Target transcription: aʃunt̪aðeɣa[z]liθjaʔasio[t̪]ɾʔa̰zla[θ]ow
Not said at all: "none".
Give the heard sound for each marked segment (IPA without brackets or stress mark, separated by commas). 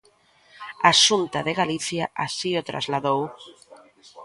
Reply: none, t̪, ð